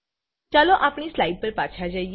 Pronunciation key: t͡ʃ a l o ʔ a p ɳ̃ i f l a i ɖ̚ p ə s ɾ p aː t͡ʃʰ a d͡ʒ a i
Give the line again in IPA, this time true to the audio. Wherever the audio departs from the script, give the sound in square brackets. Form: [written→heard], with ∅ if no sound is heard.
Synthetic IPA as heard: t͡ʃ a l o ʔ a p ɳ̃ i [f→s] l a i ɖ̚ p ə [s→∅] ɾ p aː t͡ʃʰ a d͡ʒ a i